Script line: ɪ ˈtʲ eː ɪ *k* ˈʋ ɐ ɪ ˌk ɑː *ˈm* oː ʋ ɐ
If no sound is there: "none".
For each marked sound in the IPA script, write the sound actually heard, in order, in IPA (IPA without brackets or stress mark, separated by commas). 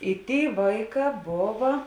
none, b